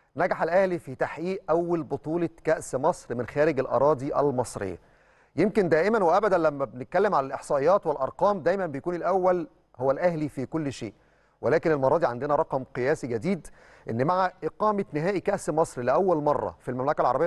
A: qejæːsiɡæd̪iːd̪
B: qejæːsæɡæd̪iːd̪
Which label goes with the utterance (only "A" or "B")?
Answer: A